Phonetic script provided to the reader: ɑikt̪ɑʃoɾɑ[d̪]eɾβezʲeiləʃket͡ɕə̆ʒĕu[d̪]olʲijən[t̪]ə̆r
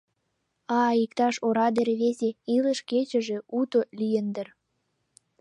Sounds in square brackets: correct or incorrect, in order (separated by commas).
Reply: correct, incorrect, incorrect